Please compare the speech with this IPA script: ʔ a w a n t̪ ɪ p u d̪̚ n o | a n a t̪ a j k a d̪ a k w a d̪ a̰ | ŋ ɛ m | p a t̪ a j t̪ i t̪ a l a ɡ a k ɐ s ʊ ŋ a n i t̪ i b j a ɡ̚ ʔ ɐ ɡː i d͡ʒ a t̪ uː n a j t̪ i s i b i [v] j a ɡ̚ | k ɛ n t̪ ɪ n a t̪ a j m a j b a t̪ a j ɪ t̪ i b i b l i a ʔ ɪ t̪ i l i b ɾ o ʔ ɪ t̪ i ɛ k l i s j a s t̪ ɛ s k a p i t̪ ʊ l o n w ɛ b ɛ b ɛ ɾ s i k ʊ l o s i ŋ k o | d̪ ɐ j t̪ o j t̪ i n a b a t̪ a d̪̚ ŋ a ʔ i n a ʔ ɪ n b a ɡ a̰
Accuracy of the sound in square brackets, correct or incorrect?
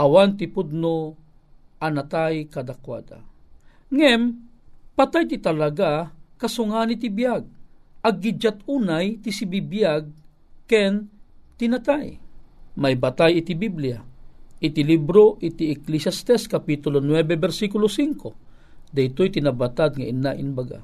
incorrect